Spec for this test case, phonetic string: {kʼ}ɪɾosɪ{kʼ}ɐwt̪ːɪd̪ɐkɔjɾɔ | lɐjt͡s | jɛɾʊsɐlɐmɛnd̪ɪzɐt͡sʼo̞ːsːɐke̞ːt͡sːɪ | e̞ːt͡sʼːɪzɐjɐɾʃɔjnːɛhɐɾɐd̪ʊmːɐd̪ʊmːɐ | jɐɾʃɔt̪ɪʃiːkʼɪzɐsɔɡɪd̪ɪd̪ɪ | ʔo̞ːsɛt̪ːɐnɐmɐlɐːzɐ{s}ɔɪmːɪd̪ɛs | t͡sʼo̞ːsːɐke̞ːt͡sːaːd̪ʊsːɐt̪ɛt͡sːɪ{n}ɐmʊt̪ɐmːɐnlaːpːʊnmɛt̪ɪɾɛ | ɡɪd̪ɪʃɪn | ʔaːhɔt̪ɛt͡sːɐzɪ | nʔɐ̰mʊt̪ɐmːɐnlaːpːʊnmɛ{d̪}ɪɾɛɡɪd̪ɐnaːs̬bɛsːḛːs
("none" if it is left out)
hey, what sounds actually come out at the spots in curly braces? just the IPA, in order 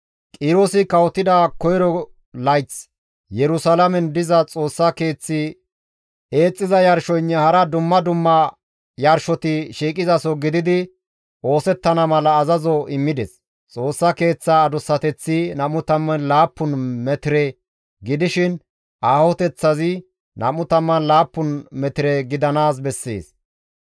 kʼ, k, z, n, t̪

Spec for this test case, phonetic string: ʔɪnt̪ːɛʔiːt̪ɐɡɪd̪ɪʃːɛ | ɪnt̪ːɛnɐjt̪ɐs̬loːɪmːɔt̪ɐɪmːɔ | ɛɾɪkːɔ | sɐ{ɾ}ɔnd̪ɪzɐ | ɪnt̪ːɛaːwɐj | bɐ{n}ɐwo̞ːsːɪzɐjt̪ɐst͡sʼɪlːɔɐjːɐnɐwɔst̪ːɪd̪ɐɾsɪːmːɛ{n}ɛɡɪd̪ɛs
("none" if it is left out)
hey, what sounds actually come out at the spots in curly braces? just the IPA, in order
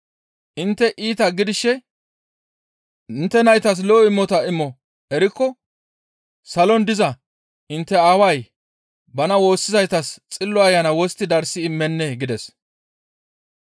l, n, nː

